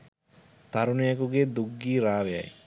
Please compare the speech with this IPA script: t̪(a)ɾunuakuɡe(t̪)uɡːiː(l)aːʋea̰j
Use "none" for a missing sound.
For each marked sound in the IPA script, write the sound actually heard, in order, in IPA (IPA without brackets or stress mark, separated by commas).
a, d̪, ɾ